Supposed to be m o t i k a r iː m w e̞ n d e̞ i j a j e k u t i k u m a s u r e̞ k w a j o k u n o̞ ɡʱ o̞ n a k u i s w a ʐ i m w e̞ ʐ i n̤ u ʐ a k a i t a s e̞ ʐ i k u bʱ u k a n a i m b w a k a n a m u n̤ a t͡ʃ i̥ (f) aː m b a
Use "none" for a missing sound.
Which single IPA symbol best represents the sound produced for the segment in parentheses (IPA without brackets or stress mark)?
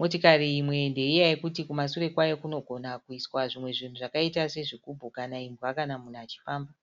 f